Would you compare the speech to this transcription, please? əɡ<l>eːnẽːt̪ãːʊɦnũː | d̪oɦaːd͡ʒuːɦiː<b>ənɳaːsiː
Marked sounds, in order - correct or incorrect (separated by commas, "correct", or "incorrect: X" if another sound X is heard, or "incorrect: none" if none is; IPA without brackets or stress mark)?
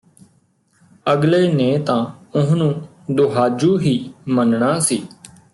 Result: correct, incorrect: m